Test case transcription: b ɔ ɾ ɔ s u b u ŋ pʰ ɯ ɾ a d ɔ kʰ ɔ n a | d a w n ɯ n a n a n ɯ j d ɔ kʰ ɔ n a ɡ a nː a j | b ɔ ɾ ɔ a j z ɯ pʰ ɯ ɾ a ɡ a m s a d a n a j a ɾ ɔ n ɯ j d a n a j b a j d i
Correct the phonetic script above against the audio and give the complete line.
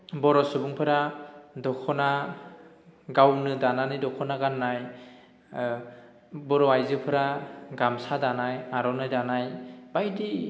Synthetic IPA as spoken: b ɔ ɾ ɔ s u b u ŋ pʰ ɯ ɾ a d ɔ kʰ ɔ n a | ɡ a w n ɯ d a n a n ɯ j d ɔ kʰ ɔ n a ɡ a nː a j | b ɔ ɾ ɔ a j z ɯ pʰ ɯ ɾ a ɡ a m s a d a n a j a ɾ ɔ n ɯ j d a n a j b a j d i

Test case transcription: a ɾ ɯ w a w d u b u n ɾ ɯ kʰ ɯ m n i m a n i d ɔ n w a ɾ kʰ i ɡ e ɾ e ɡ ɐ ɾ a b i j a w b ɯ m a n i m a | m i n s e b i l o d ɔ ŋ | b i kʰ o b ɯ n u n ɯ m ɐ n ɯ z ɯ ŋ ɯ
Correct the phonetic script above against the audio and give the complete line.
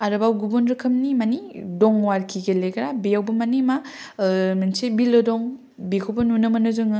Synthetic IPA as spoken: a ɾ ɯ b a w ɡ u b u n ɾ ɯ kʰ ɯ m n i m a n i d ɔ ŋ w a ɾ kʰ i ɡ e l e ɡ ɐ ɾ a b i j a w b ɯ m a n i m a | m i n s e b i l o d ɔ ŋ | b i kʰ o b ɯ n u n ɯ m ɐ n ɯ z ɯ ŋ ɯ

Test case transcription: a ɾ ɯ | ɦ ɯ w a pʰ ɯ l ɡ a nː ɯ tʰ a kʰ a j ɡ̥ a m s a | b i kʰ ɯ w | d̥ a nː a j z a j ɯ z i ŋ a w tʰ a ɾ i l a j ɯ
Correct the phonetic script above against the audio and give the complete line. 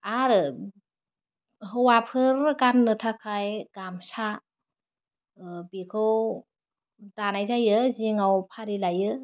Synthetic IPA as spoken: a ɾ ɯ | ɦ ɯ w a pʰ ɯ ɾ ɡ a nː ɯ tʰ a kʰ a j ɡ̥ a m s a | b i kʰ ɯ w | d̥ a n a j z a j ɯ z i ŋ a w pʰ a ɾ i l a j ɯ

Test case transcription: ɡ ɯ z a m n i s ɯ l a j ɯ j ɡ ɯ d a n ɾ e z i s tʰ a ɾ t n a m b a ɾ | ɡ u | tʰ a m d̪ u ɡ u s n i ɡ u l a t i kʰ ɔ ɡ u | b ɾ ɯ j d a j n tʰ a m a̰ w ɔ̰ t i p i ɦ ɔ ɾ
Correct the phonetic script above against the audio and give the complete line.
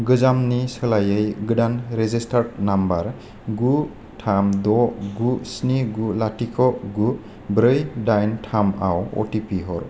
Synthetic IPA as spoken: ɡ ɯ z a m n i s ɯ l a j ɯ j ɡ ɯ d a n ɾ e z i s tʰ a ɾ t n a m b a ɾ | ɡ u | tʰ a m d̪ ɔ ɡ u s n i ɡ u l a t i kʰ ɔ ɡ u | b ɾ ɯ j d a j n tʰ a m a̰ w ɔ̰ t i p i ɦ ɔ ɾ

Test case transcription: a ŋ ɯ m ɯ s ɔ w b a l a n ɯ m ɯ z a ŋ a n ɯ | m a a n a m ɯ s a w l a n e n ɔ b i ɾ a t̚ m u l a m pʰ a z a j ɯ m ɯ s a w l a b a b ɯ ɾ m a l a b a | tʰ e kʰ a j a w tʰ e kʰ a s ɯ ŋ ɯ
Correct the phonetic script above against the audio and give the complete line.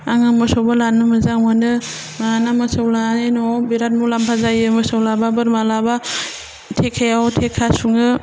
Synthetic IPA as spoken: a ŋ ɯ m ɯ s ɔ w b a l a n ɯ m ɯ z a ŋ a n ɯ | m a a n a m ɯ s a w l a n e n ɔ b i ɾ a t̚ m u l a m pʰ a z a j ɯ m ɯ s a w l a b a b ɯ ɾ m a l a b a | tʰ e kʰ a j a w tʰ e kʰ a s u ŋ ɯ

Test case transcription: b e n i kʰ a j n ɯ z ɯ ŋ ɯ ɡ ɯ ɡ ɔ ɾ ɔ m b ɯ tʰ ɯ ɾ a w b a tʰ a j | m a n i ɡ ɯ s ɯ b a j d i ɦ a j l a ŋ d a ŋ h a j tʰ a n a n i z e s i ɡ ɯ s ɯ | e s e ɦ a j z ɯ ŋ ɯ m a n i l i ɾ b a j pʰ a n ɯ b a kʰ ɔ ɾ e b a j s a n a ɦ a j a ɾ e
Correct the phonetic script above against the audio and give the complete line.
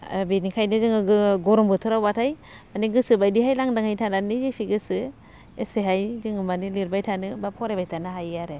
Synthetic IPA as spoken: b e n i kʰ a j n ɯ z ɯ ŋ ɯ ɡ ɯ ɡ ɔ ɾ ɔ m b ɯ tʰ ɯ ɾ a w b a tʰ a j | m a n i ɡ ɯ s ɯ b a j d i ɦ a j l a ŋ d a ŋ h a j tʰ a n a n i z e s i ɡ ɯ s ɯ | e s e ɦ a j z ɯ ŋ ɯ m a n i l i ɾ b a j tʰ a n ɯ b a pʰ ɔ ɾ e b a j t a n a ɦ a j a ɾ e

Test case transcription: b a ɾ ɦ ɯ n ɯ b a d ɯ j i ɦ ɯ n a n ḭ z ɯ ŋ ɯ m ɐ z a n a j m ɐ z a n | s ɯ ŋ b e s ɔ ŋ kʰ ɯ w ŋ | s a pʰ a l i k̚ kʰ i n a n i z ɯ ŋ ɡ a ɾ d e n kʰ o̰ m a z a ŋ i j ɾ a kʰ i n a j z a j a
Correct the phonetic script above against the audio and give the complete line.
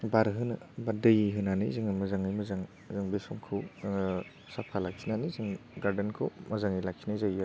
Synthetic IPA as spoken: b a ɾ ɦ ɯ n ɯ b a d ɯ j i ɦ ɯ n a n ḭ z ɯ ŋ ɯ m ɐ z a ŋ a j m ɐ z a ŋ | z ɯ ŋ b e s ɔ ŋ kʰ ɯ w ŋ | s a pʰ a l a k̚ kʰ i n a n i z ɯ ŋ ɡ a ɾ d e n kʰ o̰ m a z a ŋ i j l a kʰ i n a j z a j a

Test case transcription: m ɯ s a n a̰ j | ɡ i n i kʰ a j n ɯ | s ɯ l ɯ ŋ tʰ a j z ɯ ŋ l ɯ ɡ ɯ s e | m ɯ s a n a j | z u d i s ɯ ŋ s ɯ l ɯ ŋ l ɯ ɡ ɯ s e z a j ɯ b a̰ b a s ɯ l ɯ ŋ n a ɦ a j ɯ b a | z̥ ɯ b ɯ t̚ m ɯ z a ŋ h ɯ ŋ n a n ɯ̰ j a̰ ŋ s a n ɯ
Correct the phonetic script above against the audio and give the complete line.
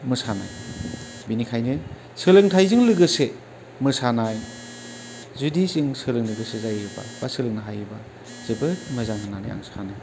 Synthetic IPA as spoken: m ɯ s a n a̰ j | b i n i kʰ a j n ɯ | s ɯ l ɯ ŋ tʰ a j z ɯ ŋ l ɯ ɡ ɯ s e | m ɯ s a n a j | z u d i s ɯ ŋ s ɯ l ɯ ŋ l ɯ ɡ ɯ s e z a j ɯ b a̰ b a s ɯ l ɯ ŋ n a ɦ a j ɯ b a | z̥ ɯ b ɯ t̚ m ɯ z a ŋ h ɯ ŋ n a n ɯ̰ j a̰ ŋ s a n ɯ

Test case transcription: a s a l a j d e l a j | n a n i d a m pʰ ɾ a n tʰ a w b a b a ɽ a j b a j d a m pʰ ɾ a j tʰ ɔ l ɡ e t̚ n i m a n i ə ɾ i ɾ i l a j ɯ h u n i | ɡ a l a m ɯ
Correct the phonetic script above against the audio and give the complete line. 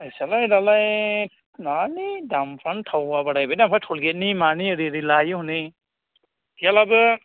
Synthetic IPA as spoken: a s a l a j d a l a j | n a n i d a m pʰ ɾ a n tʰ a w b a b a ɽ a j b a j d a m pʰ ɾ a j tʰ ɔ l ɡ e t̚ n i m a n i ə ɾ i ɾ i l a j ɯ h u n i | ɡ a l a b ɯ

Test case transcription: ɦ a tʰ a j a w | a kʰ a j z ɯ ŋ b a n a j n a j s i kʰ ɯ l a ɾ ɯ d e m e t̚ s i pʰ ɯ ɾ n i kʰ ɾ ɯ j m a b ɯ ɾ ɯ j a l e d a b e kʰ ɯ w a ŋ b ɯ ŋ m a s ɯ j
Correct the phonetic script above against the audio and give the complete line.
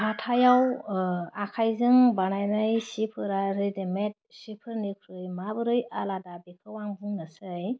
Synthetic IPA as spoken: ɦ a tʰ a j a w | a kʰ a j z ɯ ŋ b a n a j n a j s i pʰ ɯ ɾ a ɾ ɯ d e m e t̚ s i pʰ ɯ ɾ n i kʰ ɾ ɯ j m a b ɯ ɾ ɯ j a l a d a b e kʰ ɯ w a ŋ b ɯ ŋ n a s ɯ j

